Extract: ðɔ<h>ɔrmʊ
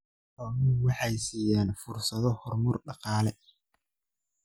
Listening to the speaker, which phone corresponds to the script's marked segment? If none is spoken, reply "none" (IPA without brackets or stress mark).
h